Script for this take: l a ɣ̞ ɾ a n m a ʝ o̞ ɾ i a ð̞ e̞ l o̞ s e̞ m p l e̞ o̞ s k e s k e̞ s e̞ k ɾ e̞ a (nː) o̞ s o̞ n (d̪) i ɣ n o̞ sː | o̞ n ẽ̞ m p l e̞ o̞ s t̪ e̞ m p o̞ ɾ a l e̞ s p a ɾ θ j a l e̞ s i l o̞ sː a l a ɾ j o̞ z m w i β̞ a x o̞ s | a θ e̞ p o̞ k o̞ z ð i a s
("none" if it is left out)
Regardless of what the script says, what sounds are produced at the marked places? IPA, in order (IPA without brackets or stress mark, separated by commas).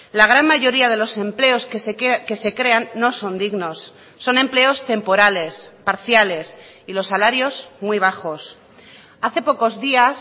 nː, d̪